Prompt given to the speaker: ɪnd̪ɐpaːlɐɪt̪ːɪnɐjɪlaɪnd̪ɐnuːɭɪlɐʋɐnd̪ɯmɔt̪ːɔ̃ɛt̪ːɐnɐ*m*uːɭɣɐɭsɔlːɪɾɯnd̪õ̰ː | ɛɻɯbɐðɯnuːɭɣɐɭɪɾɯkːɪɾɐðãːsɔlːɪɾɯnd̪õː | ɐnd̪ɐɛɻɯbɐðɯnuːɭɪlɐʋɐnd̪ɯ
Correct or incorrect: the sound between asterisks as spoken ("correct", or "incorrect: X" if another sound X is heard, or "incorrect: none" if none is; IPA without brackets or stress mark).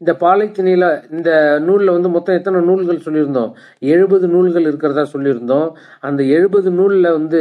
incorrect: n